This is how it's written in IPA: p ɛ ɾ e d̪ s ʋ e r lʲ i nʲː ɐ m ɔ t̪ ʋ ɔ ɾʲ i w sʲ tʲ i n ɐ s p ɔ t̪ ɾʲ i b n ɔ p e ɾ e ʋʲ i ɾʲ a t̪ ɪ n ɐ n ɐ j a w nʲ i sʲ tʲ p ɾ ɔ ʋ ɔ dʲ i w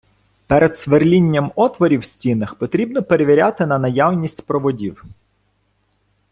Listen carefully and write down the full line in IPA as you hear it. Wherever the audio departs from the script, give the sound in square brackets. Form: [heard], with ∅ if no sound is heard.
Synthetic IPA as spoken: p ɛ ɾ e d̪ s ʋ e r lʲ i nʲː ɐ m ɔ t̪ ʋ ɔ ɾʲ i w sʲ tʲ i n ɐ [x] p ɔ t̪ ɾʲ i b n ɔ p e ɾ e ʋʲ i ɾʲ a t̪ ɪ n ɐ n ɐ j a w nʲ i sʲ tʲ p ɾ ɔ ʋ ɔ dʲ i w